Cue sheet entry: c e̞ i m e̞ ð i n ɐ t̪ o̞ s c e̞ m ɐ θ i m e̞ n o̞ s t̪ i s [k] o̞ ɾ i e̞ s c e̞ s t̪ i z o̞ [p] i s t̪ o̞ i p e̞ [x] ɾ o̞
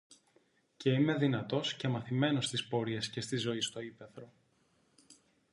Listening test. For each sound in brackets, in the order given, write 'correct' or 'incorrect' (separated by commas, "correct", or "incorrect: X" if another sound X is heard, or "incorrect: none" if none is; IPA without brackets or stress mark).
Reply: incorrect: p, incorrect: none, incorrect: θ